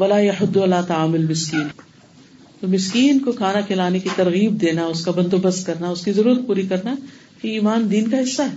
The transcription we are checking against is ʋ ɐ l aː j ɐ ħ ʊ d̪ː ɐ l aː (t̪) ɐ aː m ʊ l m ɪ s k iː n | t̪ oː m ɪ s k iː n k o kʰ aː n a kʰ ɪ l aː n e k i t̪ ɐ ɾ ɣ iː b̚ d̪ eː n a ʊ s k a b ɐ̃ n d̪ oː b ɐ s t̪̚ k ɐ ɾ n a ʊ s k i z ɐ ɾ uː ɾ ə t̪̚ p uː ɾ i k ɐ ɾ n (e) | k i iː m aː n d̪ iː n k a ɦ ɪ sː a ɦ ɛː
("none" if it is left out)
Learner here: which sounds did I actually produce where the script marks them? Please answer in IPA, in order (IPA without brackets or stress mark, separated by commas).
t̪, a